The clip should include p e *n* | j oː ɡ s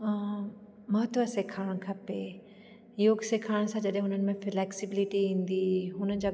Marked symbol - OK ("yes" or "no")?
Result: no